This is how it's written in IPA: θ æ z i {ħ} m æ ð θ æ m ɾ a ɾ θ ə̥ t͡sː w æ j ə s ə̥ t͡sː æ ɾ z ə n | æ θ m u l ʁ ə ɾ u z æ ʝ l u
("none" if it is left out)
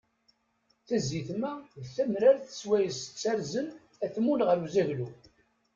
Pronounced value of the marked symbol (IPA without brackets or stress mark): θ